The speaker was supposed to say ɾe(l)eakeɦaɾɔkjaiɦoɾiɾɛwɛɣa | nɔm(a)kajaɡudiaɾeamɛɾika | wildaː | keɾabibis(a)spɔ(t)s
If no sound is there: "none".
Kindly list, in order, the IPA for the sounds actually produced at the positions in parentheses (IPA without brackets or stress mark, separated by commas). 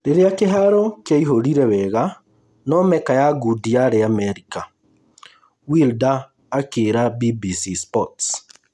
ɾ, ɛ, i, t